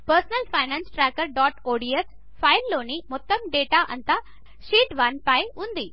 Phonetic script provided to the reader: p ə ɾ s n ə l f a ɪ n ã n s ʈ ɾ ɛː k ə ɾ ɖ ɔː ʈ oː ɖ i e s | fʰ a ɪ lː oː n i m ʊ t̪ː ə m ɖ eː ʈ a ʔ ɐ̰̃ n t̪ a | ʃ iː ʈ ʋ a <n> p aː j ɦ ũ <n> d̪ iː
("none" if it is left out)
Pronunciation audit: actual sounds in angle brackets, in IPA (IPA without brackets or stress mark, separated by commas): n, n